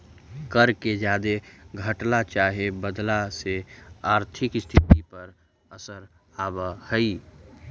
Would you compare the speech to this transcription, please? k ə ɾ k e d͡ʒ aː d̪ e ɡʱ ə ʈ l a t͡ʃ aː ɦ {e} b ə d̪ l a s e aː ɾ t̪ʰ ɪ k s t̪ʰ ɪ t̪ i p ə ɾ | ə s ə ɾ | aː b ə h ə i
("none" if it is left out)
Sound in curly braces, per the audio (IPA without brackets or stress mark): e